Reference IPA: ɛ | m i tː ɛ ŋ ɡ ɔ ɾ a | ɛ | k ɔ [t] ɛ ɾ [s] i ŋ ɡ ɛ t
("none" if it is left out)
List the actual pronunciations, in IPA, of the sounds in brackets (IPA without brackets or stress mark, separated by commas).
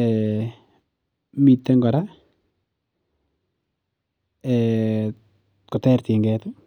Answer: t, t